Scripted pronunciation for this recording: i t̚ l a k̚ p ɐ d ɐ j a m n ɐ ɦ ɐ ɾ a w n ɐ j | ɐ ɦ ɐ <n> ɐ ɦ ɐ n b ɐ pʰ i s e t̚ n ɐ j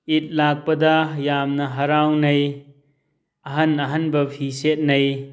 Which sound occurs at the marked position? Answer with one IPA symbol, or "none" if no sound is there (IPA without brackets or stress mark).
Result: n